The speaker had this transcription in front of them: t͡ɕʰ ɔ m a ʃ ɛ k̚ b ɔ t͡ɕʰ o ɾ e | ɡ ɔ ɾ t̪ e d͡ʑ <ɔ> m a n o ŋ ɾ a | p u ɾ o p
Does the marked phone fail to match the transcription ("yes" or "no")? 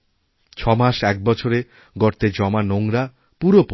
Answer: no